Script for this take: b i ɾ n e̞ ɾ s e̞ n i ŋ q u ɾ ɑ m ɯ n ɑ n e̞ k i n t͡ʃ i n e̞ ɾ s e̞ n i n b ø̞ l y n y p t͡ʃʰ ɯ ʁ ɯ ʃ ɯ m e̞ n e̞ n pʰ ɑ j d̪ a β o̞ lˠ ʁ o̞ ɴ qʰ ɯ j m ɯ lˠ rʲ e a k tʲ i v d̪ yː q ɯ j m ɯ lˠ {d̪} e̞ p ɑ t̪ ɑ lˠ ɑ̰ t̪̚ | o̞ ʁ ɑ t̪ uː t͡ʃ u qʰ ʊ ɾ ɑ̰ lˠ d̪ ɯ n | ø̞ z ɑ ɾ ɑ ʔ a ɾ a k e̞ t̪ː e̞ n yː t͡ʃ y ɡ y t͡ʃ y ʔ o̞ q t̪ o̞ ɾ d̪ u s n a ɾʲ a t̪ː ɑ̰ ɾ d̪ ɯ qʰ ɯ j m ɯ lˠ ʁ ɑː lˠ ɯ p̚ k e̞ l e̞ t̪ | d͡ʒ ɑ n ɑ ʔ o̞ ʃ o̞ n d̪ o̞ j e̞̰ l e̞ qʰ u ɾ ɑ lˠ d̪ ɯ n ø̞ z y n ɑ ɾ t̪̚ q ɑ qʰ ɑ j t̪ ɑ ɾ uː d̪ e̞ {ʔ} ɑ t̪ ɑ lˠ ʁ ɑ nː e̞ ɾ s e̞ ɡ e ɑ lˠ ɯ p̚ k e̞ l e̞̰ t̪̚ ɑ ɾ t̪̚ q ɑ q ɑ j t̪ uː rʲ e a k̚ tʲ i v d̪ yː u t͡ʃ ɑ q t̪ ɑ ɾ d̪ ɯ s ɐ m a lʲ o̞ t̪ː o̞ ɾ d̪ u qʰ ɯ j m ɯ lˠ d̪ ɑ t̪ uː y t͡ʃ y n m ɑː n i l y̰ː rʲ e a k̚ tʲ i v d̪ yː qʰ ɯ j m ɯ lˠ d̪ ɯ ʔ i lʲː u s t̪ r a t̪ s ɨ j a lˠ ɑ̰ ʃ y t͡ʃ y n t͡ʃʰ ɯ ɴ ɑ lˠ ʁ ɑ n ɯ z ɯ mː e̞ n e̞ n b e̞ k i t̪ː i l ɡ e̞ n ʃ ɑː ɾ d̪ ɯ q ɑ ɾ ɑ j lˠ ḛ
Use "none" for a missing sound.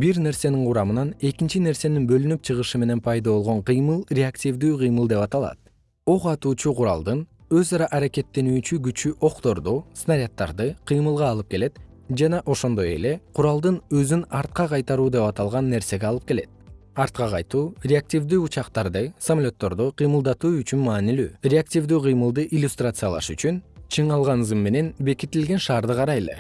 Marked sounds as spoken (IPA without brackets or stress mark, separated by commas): d̪, p